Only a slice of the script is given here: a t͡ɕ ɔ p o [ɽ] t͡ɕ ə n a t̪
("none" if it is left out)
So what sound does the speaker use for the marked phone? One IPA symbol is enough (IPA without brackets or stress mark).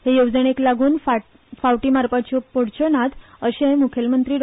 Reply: ɽ